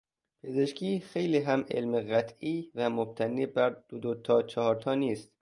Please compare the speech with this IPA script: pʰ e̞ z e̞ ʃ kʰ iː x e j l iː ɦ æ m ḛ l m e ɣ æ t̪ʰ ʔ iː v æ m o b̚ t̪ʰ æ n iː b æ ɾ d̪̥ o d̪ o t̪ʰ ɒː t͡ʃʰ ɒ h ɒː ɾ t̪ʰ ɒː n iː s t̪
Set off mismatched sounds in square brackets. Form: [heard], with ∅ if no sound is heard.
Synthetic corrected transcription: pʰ e̞ z e̞ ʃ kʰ iː x e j l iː ɦ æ m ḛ l m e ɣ æ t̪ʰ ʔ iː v æ m o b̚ t̪ʰ æ n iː b æ ɾ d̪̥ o d̪ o t̪ʰ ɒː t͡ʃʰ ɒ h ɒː ɾ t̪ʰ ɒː n iː s t̪

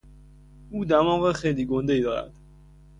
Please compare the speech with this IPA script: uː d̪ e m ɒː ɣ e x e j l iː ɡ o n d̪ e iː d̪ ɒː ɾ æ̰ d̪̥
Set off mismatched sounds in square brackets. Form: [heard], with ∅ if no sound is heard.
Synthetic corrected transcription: uː d̪ [æ] m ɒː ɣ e x e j l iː ɡ o n d̪ e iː d̪ ɒː ɾ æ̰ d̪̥

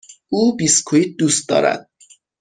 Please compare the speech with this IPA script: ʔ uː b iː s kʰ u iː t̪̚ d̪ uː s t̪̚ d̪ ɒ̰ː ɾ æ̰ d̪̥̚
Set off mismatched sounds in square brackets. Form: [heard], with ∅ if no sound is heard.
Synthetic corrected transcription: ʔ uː b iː s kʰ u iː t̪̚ d̪ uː s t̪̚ d̪ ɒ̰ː ɾ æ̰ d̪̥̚

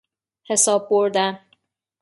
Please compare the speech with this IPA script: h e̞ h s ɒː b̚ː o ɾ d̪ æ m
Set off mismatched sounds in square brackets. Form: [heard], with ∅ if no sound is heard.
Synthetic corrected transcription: h e̞ [∅] s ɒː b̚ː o ɾ d̪ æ [n]

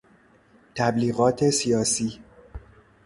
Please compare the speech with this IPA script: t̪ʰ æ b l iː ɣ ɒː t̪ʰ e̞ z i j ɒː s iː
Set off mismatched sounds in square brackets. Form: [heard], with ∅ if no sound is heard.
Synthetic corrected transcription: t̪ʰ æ b l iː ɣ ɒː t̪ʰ e̞ [s] i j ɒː s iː

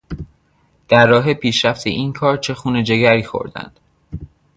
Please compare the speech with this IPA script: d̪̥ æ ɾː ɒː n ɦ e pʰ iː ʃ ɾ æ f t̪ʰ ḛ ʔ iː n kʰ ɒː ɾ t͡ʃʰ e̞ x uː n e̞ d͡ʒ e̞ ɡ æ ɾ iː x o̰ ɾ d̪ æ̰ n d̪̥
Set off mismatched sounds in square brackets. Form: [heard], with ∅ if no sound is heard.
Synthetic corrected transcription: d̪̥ æ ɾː ɒː [∅] ɦ e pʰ iː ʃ ɾ æ f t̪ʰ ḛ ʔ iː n kʰ ɒː ɾ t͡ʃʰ e̞ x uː n e̞ d͡ʒ e̞ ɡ æ ɾ iː x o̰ ɾ d̪ æ̰ n d̪̥

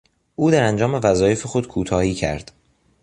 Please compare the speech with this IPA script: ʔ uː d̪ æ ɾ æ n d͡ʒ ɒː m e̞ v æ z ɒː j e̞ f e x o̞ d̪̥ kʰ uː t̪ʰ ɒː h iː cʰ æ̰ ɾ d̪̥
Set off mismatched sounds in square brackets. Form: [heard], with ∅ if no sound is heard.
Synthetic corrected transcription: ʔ uː d̪ æ ɾ æ n d͡ʒ ɒː m e̞ v æ z ɒː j e̞ f e x o̞ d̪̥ kʰ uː t̪ʰ ɒː h iː cʰ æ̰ ɾ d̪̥

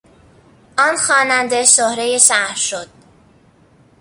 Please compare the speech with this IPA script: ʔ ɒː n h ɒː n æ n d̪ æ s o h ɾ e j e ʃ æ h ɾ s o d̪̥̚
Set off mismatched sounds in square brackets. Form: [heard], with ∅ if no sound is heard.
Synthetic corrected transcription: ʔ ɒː n [x] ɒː n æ n d̪ [e] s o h ɾ e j e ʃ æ h ɾ [ʃ] o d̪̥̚

